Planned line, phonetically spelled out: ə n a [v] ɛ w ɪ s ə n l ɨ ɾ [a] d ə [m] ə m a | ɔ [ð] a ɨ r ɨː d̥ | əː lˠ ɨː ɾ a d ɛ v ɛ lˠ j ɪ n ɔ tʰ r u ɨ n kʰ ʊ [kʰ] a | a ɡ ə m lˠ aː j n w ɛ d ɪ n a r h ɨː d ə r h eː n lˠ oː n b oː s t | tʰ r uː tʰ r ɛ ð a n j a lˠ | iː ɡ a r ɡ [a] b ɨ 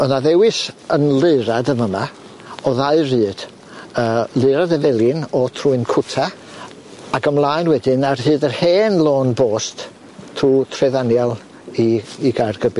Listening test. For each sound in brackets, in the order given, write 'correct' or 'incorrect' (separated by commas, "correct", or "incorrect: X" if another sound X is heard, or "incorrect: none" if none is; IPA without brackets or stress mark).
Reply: incorrect: ð, correct, correct, correct, incorrect: tʰ, incorrect: ə